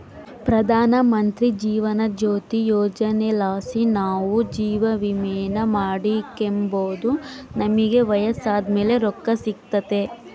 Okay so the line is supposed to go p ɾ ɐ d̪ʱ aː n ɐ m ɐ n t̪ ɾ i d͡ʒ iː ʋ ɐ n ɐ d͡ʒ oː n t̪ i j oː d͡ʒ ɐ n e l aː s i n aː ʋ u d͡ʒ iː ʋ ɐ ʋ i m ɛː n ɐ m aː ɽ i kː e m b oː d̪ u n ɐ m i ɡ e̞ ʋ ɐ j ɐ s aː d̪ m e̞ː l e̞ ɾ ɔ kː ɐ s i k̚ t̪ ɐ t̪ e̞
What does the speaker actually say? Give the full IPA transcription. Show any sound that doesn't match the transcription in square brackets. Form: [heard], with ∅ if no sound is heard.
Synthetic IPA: p ɾ ɐ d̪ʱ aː n ɐ m ɐ n t̪ ɾ i d͡ʒ iː ʋ ɐ n ɐ d͡ʒ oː [∅] t̪ i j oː d͡ʒ ɐ n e l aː s i n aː ʋ u d͡ʒ iː ʋ ɐ ʋ i m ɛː n ɐ m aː ɽ i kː e m b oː d̪ u n ɐ m i ɡ e̞ ʋ ɐ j ɐ s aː d̪ m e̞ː l e̞ ɾ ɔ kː ɐ s i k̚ t̪ ɐ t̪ e̞